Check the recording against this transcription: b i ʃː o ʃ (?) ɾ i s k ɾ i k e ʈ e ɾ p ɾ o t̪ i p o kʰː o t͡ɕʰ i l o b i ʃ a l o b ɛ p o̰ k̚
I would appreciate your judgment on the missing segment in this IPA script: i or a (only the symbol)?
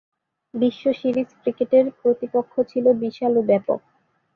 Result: i